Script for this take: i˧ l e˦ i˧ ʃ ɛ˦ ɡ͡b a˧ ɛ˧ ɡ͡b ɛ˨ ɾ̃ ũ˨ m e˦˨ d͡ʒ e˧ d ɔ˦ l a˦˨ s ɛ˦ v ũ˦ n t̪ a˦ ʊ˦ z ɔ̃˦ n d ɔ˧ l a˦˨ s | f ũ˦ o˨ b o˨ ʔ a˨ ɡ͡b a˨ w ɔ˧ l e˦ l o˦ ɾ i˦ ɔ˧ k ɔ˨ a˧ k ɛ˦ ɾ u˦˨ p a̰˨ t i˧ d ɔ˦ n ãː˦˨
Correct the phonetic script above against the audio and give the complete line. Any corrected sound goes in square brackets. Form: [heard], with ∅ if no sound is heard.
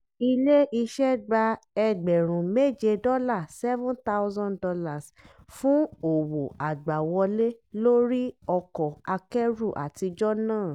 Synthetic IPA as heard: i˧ l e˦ i˧ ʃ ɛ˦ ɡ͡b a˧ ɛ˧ ɡ͡b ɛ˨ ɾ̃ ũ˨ m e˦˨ d͡ʒ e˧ d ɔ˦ l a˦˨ s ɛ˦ v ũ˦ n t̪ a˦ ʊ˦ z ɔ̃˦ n d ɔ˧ l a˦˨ s | f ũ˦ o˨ [w] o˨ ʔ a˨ ɡ͡b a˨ w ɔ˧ l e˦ l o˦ ɾ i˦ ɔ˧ k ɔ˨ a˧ k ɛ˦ ɾ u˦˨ [ʔ] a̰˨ t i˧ [d͡ʒ] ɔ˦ n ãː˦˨